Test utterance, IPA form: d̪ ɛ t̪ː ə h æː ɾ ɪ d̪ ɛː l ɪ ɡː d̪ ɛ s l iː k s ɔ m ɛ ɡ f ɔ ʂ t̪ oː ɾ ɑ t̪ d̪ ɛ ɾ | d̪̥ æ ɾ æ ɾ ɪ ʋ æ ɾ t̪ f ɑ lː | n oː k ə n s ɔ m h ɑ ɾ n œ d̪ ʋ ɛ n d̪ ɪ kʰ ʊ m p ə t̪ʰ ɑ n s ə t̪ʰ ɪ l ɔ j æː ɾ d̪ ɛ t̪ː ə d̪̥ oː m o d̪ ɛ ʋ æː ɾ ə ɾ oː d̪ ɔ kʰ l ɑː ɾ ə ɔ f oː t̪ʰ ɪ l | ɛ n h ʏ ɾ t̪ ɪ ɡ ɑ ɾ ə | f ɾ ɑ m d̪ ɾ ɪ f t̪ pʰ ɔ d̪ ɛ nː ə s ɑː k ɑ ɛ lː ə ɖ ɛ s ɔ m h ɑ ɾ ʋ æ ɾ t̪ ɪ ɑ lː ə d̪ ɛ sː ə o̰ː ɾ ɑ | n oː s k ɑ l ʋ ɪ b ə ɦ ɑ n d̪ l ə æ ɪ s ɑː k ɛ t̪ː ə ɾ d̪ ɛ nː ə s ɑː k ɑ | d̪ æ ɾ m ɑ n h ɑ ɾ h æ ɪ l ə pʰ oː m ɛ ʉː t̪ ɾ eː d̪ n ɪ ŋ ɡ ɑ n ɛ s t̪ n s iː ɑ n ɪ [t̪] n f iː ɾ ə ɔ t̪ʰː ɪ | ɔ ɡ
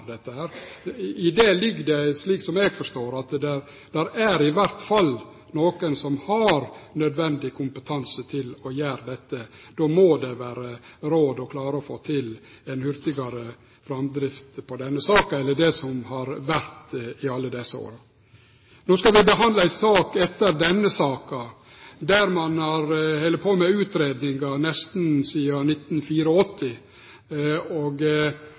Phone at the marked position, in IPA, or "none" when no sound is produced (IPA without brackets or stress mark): t̪